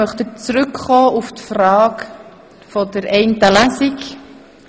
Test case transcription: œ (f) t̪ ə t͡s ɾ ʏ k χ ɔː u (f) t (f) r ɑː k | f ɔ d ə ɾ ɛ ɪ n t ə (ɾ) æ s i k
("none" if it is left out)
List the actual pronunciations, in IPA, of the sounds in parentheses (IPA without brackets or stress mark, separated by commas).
χ, f, f, l